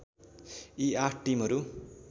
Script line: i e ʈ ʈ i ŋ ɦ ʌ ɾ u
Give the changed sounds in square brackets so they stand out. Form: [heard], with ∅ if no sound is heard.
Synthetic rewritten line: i [a] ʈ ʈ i [m] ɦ ʌ ɾ u